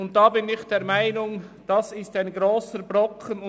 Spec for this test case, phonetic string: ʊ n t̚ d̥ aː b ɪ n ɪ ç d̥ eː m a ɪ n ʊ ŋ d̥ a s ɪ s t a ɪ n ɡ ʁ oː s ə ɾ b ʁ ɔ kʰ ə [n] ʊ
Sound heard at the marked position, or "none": n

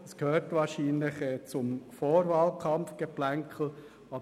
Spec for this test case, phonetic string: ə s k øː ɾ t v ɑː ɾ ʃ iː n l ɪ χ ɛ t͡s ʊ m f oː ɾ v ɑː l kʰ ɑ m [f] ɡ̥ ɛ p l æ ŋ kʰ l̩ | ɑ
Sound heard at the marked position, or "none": f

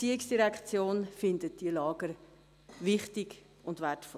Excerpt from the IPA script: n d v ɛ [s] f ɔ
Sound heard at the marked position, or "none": t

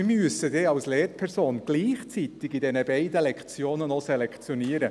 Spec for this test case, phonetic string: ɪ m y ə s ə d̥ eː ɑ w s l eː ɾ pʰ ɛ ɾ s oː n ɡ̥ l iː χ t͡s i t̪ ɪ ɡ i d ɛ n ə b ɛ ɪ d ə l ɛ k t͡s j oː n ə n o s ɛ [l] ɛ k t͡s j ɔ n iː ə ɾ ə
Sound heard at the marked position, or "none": l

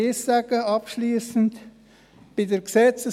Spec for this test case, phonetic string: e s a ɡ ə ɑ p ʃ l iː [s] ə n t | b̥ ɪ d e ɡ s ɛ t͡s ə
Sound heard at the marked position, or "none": s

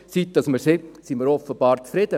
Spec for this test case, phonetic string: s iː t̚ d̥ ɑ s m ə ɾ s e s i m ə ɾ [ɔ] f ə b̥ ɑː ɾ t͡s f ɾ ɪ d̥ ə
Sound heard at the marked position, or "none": ɔ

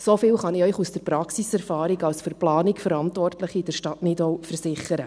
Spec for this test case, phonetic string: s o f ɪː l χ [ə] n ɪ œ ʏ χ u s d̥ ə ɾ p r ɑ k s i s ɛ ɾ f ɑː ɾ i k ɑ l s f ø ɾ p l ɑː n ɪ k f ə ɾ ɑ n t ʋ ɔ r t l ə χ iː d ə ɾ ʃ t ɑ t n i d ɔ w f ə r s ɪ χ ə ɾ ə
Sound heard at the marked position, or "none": ɑ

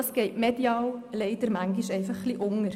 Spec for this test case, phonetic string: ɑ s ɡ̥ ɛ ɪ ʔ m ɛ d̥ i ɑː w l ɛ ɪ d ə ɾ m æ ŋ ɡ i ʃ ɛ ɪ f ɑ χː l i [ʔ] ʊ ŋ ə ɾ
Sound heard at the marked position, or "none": ʔ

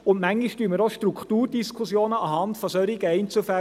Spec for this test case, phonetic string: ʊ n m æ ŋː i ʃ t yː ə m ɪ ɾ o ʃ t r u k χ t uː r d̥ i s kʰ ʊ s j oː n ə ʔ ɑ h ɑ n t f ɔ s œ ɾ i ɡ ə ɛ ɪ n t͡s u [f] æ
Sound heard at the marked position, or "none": f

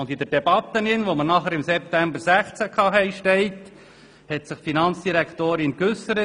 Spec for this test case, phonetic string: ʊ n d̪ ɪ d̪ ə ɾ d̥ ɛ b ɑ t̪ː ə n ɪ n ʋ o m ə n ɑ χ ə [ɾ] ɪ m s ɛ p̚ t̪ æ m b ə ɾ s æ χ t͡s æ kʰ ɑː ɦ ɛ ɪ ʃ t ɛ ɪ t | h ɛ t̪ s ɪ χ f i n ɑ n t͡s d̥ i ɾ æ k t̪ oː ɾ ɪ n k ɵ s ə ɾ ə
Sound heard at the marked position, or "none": ɾ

